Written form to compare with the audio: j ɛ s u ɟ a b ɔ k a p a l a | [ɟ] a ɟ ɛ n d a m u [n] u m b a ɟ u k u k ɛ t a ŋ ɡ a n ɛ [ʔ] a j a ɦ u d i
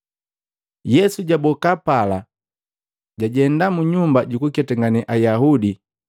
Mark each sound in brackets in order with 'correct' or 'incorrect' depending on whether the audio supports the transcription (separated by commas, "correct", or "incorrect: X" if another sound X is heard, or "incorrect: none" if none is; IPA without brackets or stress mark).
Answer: correct, incorrect: ɲ, correct